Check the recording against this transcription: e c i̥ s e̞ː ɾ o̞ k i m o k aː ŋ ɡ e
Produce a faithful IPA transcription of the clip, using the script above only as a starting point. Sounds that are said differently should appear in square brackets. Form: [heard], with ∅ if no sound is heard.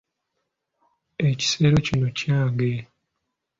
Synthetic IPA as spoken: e c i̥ s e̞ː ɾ o̞ [c] i [n] o [c] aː ŋ ɡ e